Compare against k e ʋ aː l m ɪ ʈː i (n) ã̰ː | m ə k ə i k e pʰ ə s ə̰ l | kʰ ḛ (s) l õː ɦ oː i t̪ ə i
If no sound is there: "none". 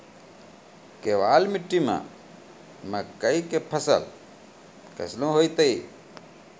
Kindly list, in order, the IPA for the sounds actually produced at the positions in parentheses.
m, s

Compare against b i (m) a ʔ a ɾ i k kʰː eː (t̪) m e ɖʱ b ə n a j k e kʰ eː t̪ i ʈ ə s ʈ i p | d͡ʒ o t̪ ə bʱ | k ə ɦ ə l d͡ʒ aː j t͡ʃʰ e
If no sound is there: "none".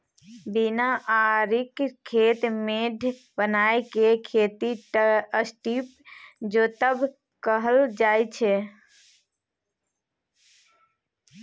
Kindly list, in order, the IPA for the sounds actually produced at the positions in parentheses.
n, t̪

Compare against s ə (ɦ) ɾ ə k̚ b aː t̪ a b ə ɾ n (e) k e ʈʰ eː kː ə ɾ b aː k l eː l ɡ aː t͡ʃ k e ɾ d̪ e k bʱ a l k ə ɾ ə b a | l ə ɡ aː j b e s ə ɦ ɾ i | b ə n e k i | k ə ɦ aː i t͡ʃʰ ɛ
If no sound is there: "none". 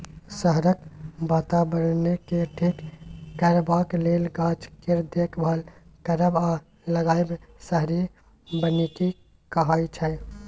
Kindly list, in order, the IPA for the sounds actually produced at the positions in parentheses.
ɦ, e

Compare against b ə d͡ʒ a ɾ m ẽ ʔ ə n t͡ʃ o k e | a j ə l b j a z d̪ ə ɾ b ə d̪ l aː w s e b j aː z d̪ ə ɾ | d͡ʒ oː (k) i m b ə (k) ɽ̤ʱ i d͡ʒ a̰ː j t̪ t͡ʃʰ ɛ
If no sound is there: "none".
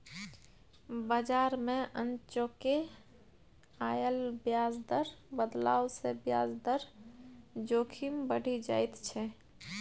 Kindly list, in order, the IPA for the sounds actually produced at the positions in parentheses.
kʰ, none

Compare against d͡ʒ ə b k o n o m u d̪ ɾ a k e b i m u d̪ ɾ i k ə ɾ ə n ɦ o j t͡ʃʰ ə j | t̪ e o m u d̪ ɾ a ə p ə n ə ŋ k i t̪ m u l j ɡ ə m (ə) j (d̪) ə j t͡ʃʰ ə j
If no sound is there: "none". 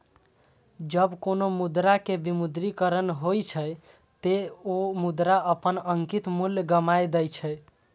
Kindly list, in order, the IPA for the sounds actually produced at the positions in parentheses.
a, d̪

